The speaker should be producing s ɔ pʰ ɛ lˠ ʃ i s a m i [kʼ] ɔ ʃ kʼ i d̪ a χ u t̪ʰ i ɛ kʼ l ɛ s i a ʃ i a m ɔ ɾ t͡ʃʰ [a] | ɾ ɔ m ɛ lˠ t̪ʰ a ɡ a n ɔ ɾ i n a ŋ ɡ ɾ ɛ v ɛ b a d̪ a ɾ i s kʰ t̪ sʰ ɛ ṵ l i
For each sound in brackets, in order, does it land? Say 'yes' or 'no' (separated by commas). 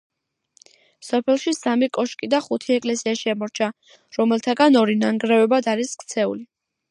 yes, yes